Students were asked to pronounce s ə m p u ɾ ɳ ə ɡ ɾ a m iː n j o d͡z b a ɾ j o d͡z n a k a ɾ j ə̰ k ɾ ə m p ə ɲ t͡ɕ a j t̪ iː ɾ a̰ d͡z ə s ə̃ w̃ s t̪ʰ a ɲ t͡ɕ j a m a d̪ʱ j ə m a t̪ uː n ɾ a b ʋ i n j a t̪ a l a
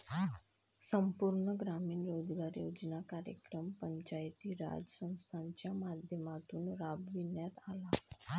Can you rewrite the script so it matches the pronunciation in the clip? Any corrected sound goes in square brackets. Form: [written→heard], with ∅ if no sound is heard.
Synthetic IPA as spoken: s ə m p u ɾ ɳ ə ɡ ɾ a m iː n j o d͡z [b→ɡ] a ɾ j o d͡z n a k a ɾ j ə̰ k ɾ ə m p ə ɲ t͡ɕ a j t̪ iː ɾ a̰ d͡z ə s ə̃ w̃ s t̪ʰ a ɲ t͡ɕ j a m a d̪ʱ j ə m a t̪ uː n ɾ a b ʋ i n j a t̪ a l a